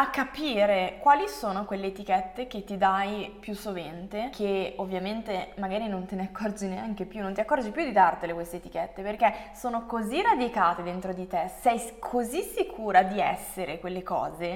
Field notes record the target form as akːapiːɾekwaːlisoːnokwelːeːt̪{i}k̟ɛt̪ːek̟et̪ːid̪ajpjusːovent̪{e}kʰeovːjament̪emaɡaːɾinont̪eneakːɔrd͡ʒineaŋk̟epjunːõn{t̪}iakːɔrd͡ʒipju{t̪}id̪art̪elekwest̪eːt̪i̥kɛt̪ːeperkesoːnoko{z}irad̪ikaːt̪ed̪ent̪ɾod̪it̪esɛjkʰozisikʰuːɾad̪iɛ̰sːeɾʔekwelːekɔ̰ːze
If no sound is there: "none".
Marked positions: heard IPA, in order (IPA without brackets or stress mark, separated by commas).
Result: i, e, t̪, d̪, z